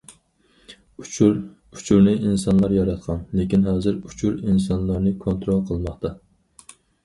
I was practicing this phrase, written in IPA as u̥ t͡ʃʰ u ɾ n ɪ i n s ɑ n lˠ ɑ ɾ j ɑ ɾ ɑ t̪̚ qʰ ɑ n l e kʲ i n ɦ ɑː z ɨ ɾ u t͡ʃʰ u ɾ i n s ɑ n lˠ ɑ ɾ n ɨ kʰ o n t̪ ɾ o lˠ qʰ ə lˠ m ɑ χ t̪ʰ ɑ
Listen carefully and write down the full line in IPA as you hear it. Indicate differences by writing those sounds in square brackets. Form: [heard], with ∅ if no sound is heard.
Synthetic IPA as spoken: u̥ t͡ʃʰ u ɾ n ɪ i n s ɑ n lˠ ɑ ɾ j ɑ ɾ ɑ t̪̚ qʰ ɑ n l e kʲ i n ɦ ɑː z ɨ ɾ u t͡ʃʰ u ɾ i n s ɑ n lˠ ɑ ɾ n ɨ kʰ o n t̪ ɾ o lˠ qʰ ə lˠ m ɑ χ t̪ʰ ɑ